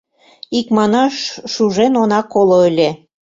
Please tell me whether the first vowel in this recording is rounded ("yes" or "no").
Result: no